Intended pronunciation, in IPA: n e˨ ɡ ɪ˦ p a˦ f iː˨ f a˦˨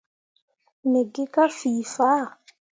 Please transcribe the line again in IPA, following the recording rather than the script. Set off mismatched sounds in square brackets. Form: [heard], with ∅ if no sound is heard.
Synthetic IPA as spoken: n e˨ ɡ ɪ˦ [k] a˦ f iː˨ f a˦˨